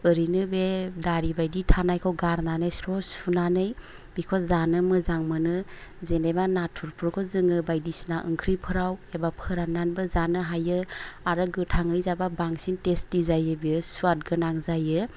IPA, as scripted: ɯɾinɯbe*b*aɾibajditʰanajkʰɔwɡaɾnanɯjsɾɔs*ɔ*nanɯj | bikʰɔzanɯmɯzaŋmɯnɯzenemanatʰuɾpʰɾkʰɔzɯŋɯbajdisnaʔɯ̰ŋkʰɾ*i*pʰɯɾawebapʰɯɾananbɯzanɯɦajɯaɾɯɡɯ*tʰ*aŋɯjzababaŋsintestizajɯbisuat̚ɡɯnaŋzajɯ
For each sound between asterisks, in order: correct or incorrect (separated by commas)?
incorrect, incorrect, correct, correct